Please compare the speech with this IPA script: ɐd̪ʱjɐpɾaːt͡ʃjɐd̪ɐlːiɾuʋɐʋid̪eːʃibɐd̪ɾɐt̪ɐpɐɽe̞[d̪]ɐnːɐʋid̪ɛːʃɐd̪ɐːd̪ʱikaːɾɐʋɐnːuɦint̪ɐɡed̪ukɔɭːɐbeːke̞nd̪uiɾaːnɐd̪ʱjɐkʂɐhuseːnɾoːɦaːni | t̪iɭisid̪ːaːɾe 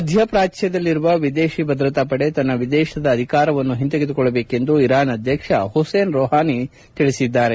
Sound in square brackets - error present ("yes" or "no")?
yes